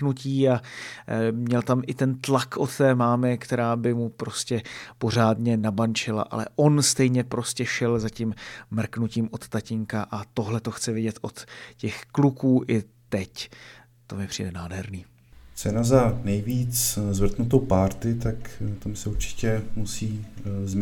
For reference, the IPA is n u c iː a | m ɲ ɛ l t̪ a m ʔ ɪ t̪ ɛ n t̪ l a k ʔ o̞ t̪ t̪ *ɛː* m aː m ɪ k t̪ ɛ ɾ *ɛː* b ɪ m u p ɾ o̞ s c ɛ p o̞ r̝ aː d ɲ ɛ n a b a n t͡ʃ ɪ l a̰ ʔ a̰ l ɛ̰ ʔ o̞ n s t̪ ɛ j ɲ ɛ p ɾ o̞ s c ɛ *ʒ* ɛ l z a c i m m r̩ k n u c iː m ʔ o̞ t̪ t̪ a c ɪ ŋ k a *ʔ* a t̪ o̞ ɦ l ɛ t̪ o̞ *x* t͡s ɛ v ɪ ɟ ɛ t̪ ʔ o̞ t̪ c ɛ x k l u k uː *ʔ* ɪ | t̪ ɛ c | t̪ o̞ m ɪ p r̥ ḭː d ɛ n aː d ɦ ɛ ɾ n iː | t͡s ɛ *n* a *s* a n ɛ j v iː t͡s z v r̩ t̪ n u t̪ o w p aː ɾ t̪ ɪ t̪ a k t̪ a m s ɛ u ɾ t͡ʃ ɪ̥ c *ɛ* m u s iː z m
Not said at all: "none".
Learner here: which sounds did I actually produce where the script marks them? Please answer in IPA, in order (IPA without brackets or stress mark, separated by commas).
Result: ɛː, aː, ʃ, ʔ, x, ʔ, n, z, ɛ